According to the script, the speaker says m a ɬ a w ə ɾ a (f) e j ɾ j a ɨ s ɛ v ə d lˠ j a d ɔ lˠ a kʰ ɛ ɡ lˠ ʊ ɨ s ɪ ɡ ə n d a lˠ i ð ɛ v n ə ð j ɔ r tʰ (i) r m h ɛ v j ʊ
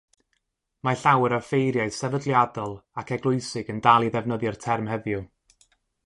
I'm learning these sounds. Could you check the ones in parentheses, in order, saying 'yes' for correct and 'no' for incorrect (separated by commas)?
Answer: yes, no